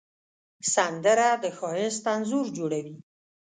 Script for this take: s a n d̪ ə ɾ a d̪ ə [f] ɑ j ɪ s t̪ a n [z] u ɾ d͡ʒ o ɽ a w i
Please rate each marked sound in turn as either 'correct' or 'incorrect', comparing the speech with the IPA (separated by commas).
incorrect, correct